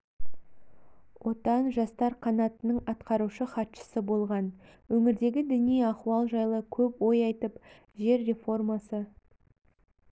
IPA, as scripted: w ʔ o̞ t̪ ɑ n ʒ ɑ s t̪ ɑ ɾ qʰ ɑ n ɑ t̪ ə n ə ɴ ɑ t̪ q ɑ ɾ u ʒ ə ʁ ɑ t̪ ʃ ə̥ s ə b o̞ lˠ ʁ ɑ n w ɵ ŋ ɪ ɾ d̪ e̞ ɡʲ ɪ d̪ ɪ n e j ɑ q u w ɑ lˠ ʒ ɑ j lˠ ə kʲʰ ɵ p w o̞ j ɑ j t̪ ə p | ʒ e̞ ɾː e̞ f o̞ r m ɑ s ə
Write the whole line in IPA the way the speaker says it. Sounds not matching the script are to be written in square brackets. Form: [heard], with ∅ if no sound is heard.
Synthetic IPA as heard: w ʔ o̞ t̪ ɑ n ʒ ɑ s t̪ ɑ ɾ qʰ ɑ n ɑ t̪ ə n ə ɴ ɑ t̪ q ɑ ɾ u [ʃ] ə [χ] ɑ t̪ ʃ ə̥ s ə b o̞ lˠ ʁ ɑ n w ɵ ŋ ɪ ɾ d̪ e̞ ɡʲ ɪ d̪ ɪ n [i] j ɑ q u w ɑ lˠ ʒ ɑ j lˠ ə kʲʰ ɵ p w o̞ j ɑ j t̪ ə p | ʒ e̞ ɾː e̞ f o̞ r m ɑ s ə